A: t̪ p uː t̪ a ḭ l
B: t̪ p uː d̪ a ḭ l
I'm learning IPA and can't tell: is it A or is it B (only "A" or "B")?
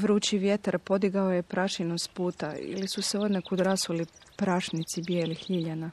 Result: A